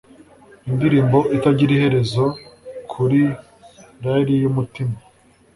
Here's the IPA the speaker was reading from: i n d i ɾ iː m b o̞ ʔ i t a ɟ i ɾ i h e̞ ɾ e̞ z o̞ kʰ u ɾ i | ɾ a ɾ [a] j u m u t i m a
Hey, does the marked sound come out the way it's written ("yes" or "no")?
no